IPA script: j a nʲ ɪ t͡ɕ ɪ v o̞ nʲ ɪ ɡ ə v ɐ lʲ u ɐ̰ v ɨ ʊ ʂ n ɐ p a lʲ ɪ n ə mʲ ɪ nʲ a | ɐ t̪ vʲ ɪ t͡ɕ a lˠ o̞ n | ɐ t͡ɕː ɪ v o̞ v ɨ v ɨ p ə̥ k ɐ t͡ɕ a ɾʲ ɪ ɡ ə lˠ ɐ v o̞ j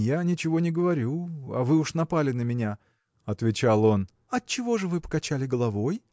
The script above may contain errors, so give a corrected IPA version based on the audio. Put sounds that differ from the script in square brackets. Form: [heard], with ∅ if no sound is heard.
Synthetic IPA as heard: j a nʲ ɪ t͡ɕ ɪ v o̞ nʲ ɪ ɡ ə v ɐ [ɾʲ] u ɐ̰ v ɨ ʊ ʂ n ɐ p a lʲ ɪ n ə mʲ ɪ nʲ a | ɐ t̪ vʲ ɪ t͡ɕ a lˠ o̞ n | ɐ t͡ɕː ɪ v o̞ [ʐ] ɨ v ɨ p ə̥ k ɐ t͡ɕ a [lʲ] ɪ ɡ ə lˠ ɐ v o̞ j